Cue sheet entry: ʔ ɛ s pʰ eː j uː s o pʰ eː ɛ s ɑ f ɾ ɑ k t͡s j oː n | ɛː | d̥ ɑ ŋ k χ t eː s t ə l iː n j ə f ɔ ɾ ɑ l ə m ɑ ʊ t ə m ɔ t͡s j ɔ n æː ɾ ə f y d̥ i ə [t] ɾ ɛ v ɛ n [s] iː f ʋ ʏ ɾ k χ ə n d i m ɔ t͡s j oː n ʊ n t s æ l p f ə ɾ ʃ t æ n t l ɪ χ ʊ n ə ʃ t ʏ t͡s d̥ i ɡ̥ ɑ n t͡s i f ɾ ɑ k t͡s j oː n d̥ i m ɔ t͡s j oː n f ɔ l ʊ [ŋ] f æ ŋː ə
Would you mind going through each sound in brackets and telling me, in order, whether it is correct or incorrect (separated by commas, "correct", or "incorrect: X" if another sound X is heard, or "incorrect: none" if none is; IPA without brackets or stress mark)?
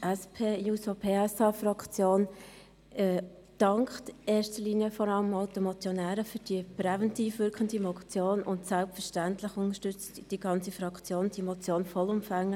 incorrect: p, incorrect: t, incorrect: m